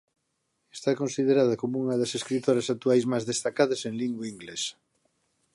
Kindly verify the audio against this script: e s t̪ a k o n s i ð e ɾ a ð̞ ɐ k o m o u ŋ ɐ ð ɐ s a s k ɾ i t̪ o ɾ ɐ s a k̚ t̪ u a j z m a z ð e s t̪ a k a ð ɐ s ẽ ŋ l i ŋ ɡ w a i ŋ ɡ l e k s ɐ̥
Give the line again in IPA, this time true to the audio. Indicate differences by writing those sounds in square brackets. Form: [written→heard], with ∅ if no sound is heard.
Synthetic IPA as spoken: e s t̪ a k o n s i ð e ɾ a ð̞ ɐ k o m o u ŋ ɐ ð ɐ s [a→e] s k ɾ i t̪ o ɾ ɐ s a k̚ t̪ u a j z m a z ð e s t̪ a k a ð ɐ s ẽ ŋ l i ŋ ɡ w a i ŋ ɡ l e [k→∅] s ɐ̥